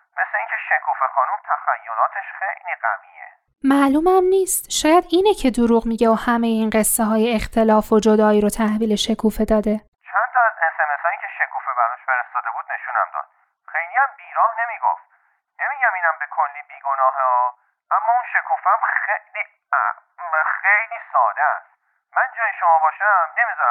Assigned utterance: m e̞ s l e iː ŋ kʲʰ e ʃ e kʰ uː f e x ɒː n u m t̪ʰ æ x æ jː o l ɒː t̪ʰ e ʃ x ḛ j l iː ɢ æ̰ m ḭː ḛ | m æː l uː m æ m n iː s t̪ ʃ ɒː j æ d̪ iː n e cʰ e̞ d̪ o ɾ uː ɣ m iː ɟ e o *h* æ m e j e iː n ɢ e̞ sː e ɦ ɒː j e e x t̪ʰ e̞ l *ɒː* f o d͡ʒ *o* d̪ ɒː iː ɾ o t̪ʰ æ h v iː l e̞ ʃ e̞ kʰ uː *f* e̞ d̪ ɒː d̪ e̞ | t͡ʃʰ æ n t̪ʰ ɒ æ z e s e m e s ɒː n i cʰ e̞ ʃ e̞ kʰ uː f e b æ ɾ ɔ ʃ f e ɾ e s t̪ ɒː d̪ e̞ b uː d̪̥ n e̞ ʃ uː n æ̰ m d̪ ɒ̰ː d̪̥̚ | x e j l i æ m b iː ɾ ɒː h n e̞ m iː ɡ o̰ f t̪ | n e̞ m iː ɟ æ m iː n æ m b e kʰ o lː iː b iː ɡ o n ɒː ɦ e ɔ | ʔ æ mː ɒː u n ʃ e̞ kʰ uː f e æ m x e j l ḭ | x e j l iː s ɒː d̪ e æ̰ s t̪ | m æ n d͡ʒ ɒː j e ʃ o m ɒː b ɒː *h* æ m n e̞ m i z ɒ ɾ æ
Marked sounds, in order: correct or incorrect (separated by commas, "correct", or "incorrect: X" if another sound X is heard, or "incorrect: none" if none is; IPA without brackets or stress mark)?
correct, correct, correct, correct, incorrect: ʃ